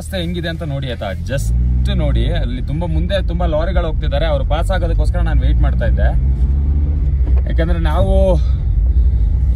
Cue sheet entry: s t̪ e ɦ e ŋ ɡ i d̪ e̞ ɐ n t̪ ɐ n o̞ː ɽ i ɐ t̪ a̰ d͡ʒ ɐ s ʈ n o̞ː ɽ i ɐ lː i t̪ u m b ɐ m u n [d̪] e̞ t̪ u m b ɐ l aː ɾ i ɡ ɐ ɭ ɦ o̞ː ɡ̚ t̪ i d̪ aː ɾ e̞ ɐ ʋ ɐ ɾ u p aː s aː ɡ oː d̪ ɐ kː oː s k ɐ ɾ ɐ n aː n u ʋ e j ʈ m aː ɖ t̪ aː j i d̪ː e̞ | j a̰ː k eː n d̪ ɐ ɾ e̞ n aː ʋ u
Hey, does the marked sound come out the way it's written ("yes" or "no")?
yes